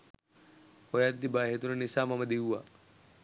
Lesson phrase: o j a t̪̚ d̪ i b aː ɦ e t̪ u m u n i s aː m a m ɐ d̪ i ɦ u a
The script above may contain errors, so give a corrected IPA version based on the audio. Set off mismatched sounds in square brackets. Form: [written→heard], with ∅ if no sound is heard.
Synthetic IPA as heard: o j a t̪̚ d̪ i b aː ɦ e t̪ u [m→n] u n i s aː m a m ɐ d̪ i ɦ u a